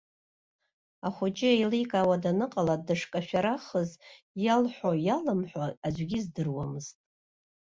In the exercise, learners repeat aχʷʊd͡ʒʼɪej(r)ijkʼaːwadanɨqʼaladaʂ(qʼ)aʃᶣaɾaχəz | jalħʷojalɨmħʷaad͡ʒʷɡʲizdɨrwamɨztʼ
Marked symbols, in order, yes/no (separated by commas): no, no